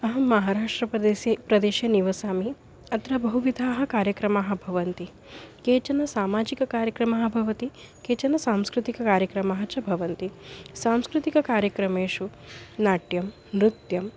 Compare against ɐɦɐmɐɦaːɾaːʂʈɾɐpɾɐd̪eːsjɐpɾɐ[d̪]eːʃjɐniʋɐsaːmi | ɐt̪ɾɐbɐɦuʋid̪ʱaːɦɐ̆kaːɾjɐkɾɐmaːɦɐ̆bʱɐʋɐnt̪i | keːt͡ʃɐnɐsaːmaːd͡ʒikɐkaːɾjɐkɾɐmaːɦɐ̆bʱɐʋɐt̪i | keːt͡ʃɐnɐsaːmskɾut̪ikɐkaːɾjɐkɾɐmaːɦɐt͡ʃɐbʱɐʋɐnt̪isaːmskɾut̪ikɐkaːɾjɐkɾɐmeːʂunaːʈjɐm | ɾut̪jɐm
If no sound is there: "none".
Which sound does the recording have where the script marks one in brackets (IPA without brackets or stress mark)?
d̪